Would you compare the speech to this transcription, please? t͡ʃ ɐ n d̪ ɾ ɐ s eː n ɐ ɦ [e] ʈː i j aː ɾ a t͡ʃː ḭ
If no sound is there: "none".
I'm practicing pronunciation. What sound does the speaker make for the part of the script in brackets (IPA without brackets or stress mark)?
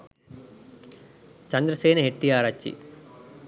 e